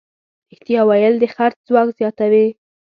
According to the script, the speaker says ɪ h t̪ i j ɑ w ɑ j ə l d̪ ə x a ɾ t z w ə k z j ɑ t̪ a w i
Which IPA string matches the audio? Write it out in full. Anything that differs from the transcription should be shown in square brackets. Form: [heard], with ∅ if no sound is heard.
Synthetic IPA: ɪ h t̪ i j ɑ w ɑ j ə l d̪ ə x a ɾ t z w [ɑ] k z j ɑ t̪ a w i